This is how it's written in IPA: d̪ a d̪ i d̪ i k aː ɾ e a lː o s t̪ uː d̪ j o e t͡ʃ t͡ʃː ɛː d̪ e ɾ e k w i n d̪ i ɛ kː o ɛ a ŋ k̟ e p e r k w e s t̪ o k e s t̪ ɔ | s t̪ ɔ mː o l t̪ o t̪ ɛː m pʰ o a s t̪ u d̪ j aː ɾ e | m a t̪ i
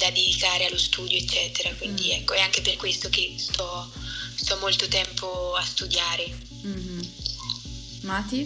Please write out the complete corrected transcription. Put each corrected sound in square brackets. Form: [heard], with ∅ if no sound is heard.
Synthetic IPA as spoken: d̪ a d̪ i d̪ i k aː ɾ e a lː o s t̪ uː d̪ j o e t͡ʃ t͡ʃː ɛː [t̪] e ɾ [a] k w i n d̪ i ɛ kː o ɛ a ŋ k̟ e p e r k w e s t̪ o k e s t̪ ɔ | s t̪ ɔ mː o l t̪ o t̪ [ɛ] m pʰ o a s t̪ u d̪ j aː ɾ e | m a t̪ i